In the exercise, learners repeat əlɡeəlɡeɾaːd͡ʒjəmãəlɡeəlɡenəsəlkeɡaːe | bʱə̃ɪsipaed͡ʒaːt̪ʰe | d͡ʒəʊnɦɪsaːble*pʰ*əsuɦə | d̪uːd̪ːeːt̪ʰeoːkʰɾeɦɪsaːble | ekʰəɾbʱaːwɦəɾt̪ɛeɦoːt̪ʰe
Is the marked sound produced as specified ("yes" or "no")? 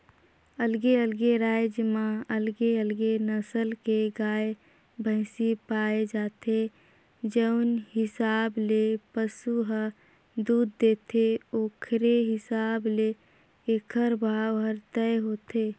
no